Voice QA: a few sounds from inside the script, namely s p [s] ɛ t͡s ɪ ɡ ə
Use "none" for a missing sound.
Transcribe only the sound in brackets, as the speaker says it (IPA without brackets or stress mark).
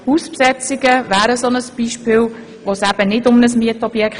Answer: s